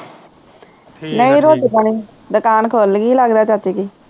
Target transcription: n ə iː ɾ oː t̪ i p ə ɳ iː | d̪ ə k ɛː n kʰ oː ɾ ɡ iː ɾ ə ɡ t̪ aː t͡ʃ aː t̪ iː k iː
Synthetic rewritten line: n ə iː ɾ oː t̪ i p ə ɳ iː | d̪ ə k aː n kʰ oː l ɡ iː l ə ɡ d̪ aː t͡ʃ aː t̪ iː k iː